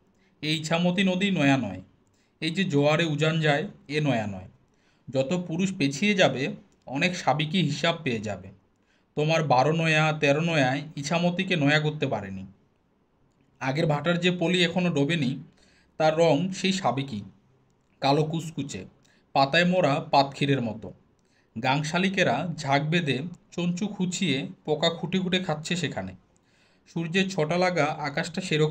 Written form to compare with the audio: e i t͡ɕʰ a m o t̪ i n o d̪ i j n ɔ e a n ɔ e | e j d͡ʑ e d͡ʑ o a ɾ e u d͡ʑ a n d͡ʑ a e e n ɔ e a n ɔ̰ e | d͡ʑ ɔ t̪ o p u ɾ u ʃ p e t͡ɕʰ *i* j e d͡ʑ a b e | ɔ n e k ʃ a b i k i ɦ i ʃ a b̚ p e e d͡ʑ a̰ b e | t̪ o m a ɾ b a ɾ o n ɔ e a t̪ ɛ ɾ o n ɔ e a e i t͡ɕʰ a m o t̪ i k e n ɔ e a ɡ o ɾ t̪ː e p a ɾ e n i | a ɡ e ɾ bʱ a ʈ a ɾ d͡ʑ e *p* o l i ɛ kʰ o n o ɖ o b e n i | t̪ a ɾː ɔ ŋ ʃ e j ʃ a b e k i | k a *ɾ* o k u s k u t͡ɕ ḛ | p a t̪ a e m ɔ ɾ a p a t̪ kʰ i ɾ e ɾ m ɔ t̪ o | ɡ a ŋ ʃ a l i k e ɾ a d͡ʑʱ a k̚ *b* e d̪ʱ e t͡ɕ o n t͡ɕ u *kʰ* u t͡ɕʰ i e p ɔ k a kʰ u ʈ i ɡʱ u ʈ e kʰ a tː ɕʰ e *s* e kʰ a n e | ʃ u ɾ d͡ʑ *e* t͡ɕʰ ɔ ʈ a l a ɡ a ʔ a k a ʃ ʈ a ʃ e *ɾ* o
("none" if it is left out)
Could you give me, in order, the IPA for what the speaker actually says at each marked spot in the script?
i, p, l, b, kʰ, ʃ, e, ɾ

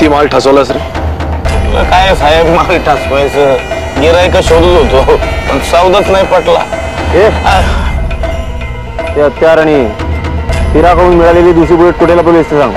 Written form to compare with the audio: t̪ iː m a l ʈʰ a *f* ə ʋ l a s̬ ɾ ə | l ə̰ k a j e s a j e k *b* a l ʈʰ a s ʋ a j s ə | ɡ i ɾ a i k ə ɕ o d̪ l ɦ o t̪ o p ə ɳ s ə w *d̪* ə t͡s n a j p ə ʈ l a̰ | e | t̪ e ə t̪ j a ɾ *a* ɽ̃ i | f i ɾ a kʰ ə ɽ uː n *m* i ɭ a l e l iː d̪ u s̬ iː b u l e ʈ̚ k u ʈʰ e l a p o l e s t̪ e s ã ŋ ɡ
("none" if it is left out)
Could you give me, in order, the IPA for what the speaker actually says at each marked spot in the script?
s, m, d̪, a, m

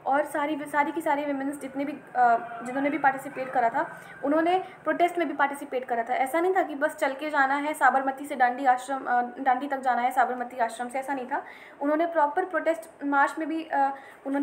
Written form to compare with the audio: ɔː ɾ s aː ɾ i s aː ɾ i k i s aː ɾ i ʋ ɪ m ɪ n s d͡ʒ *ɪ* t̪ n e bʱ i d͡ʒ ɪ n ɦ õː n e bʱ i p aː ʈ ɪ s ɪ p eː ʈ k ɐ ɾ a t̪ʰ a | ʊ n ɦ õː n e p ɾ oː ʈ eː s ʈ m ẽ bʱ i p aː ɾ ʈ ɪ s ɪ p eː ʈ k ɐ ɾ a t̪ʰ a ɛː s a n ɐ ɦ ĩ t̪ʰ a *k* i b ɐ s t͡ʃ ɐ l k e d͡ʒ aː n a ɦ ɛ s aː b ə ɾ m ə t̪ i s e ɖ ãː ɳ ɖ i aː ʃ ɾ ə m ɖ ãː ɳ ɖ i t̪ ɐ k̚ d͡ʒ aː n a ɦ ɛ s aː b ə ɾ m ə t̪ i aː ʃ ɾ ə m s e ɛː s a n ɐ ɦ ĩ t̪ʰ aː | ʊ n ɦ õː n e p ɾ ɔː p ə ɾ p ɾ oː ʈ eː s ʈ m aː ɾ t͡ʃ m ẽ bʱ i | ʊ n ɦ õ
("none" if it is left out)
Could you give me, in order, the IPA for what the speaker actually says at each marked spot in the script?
ɪ, k

